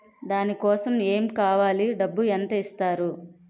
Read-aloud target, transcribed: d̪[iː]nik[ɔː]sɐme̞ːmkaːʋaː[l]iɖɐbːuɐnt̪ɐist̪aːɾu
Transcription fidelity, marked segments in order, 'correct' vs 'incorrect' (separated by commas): incorrect, correct, correct